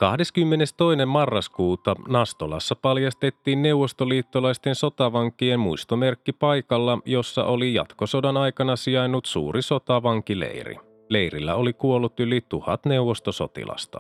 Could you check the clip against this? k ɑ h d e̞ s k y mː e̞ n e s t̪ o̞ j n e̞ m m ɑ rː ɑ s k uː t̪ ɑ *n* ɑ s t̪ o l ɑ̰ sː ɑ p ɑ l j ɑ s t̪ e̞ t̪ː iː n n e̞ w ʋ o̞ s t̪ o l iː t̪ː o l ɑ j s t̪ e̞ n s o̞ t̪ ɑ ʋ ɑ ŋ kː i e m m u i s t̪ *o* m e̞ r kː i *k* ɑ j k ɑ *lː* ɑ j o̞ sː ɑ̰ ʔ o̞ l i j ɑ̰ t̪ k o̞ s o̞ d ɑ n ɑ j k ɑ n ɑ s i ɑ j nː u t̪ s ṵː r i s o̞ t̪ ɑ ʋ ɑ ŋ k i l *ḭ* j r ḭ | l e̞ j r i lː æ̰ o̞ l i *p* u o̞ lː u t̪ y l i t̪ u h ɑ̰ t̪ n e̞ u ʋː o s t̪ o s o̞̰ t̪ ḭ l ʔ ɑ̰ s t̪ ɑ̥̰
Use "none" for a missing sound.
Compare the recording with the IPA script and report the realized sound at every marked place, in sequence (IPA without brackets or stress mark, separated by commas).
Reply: n, o, p, lː, ḛ, k